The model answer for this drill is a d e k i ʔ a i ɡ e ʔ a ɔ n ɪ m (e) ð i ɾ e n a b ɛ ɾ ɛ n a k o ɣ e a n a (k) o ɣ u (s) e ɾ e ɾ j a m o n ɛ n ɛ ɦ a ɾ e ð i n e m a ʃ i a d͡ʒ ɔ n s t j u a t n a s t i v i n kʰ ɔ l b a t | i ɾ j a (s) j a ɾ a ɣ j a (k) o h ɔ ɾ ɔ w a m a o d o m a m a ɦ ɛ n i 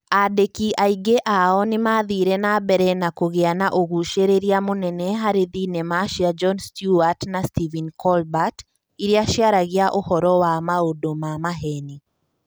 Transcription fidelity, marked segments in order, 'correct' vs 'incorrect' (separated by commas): incorrect, incorrect, incorrect, incorrect, incorrect